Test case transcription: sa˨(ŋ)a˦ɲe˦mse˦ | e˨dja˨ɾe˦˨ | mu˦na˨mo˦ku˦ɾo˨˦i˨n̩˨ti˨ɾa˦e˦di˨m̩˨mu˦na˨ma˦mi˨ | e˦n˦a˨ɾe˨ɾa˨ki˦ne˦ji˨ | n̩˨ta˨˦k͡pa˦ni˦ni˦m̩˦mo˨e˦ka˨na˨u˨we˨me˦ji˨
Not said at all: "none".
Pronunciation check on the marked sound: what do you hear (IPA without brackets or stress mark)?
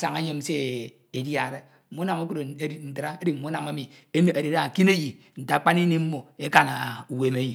ŋ